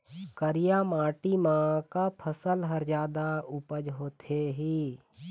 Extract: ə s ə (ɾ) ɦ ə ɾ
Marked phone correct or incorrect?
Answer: incorrect